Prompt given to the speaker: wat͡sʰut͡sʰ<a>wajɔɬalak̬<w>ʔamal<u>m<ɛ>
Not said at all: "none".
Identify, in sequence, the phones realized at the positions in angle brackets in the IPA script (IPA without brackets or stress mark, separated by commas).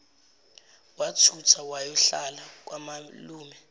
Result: a, w, uː, ɛ